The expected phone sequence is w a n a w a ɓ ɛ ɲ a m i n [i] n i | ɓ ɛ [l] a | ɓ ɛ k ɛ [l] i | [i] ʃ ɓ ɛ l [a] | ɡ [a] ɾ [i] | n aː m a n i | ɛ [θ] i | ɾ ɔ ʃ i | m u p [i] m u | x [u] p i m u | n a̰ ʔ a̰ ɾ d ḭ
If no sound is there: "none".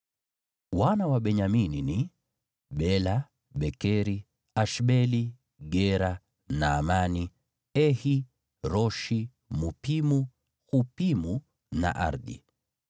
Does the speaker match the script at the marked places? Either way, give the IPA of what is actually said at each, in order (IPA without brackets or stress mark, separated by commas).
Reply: i, l, ɾ, a, i, ɛ, a, h, i, u